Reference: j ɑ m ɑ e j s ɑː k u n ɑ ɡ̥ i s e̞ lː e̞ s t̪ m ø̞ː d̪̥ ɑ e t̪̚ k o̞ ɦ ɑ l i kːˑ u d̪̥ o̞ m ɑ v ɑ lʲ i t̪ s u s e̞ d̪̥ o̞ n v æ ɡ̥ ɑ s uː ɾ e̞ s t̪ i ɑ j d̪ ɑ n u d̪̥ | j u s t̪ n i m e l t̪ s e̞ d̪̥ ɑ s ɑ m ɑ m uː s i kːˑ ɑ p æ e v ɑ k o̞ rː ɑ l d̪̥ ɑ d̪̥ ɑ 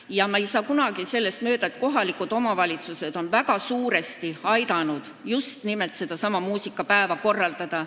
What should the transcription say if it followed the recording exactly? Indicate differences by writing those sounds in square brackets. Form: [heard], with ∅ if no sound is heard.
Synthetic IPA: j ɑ m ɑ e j s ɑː k u n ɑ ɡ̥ i s e̞ lː e̞ s t̪ m ø̞ː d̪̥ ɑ e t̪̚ k o̞ ɦ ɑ l i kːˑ u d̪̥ o̞ m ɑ v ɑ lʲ i t̪ s u s e̞ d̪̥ o̞ n v æ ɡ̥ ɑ s uː ɾ e̞ s t̪ i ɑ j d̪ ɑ n u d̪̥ | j u s t̪ n i m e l t̪ s e̞ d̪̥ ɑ s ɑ m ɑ m uː s i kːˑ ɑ p æ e v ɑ k o̞ rː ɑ l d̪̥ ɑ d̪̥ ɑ